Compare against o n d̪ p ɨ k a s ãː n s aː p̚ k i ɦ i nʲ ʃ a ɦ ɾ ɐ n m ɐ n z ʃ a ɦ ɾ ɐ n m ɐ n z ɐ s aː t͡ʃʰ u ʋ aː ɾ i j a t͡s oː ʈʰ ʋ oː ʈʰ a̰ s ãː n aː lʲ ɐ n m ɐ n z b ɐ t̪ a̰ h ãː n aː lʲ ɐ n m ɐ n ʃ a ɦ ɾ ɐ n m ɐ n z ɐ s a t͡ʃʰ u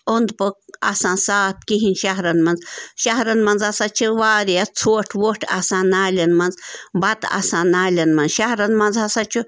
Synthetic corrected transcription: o n d̪ p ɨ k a s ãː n s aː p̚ k i ɦ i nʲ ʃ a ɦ ɾ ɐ n m ɐ n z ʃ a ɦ ɾ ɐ n m ɐ n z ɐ s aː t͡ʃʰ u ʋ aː ɾ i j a t͡sʰ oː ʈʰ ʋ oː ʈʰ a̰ s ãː n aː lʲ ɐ n m ɐ n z b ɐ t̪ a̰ s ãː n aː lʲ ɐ n m ɐ n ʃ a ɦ ɾ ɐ n m ɐ n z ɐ s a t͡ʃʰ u